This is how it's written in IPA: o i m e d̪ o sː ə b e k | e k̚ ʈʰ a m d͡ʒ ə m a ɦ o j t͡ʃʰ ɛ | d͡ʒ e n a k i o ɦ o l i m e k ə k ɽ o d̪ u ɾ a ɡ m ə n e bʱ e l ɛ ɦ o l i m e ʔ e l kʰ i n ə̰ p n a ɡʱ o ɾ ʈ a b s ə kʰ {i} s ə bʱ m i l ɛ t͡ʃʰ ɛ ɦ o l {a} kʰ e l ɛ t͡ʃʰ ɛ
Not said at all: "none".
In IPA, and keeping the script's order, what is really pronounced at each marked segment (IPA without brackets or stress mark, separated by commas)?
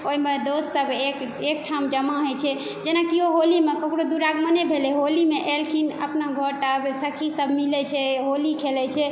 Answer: i, i